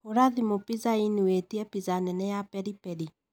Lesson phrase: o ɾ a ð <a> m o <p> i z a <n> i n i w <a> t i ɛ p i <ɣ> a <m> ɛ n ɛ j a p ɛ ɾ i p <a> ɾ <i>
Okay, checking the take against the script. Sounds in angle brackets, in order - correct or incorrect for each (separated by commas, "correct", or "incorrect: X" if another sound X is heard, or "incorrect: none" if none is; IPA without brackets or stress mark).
incorrect: i, correct, incorrect: none, incorrect: e, incorrect: z, incorrect: n, incorrect: ɛ, correct